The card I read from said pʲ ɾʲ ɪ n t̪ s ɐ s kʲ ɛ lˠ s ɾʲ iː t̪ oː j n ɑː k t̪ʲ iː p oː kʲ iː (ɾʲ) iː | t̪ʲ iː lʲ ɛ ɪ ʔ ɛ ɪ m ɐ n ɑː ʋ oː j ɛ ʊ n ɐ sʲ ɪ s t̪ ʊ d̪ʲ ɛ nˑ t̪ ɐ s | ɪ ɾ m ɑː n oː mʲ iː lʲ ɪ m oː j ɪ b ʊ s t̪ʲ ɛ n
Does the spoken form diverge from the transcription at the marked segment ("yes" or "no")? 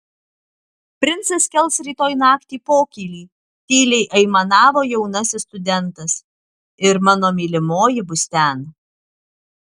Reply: yes